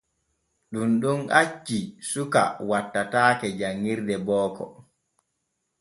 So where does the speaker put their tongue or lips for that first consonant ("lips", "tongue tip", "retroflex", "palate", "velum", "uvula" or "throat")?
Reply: tongue tip